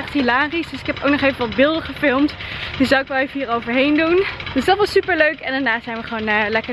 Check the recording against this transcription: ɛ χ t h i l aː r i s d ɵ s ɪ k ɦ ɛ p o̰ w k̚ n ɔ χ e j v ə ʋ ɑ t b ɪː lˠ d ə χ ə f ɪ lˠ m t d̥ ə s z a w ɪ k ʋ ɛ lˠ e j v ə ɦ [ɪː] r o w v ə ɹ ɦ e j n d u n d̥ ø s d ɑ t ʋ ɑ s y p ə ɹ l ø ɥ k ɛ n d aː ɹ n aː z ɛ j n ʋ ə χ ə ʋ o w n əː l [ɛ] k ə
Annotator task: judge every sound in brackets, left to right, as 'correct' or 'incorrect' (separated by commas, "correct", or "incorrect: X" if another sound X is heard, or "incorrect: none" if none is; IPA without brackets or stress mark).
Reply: incorrect: iː, correct